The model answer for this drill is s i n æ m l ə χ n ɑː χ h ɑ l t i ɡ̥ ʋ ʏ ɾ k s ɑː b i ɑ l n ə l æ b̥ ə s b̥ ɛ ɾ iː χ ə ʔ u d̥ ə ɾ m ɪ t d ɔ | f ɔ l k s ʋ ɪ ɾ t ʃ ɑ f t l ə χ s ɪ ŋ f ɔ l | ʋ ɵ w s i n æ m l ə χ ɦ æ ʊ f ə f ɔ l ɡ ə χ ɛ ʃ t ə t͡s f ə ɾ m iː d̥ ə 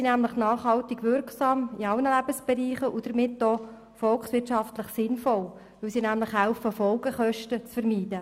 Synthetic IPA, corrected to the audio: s i n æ m l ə χ n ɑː χ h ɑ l t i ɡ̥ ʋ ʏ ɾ k s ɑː m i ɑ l n ə l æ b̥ ə s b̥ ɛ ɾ iː χ ə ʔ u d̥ ə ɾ m ɪ t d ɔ | f ɔ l k s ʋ ɪ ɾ t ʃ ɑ f t l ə χ s ɪ n f ɔ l | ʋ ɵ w s i n æ m l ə χ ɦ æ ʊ f ə f ɔ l ɡ ə χ œ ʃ t ə t͡s f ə ɾ m iː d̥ ə